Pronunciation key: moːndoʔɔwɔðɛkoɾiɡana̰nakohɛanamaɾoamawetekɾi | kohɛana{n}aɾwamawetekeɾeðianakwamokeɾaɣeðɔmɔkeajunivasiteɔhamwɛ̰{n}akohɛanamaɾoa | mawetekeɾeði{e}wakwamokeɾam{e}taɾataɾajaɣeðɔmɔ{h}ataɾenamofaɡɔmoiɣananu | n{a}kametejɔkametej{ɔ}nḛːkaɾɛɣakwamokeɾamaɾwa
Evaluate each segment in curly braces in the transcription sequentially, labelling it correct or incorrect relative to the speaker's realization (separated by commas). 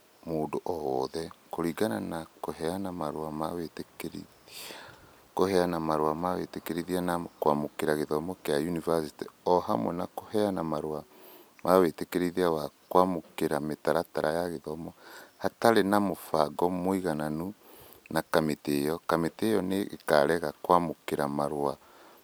incorrect, correct, incorrect, correct, correct, correct, correct